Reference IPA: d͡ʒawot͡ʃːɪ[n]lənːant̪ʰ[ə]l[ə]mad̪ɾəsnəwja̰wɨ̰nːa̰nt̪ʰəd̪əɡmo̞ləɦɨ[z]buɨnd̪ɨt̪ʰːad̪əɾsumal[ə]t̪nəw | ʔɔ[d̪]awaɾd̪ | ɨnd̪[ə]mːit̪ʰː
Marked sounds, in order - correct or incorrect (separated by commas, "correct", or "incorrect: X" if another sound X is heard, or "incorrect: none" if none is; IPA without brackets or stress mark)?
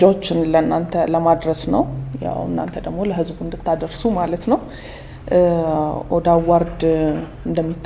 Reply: correct, correct, correct, correct, correct, correct, correct